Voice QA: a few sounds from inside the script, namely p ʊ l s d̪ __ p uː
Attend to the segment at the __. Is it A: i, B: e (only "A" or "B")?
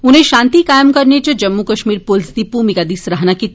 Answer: A